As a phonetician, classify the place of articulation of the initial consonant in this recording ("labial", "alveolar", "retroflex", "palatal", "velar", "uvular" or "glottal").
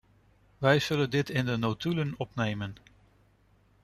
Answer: labial